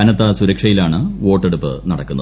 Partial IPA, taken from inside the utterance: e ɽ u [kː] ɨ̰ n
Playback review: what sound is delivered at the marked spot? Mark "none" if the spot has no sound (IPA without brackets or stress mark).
pː